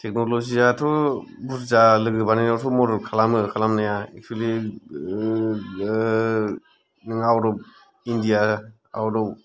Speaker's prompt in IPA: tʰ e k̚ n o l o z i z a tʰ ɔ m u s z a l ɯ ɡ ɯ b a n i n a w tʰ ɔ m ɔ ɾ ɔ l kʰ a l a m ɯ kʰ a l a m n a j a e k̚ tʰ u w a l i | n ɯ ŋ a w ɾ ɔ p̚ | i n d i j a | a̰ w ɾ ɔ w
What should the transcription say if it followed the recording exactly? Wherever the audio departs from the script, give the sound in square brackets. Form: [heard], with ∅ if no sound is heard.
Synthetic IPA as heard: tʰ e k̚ n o l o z i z a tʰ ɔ [b] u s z a l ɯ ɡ ɯ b a n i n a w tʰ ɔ m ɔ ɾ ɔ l kʰ a l a m ɯ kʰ a l a m n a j a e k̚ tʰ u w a l i | n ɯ ŋ a w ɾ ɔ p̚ | i n d i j a | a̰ w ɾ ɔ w